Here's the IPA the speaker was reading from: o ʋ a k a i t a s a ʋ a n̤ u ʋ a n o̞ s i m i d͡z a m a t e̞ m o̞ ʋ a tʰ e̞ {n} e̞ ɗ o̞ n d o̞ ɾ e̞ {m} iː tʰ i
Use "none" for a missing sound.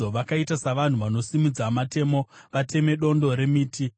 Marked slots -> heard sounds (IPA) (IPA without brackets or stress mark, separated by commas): m, m